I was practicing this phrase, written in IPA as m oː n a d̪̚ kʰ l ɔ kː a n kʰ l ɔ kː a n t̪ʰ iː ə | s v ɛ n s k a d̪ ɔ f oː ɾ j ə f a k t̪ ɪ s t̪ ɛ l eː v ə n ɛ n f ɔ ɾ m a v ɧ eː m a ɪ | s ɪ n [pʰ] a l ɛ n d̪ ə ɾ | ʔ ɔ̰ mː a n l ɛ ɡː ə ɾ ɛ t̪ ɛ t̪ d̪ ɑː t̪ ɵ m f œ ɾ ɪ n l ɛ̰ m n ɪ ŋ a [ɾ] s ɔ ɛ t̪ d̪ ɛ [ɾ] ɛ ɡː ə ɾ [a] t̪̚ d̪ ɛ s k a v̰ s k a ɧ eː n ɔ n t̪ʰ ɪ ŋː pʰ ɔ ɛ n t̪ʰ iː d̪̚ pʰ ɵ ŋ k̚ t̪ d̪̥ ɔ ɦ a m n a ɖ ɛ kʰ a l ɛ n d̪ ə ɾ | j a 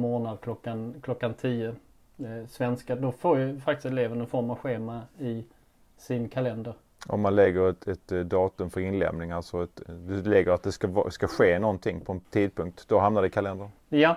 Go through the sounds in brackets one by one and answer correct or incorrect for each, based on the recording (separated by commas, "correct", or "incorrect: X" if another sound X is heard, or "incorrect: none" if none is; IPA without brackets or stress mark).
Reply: incorrect: kʰ, incorrect: l, incorrect: l, correct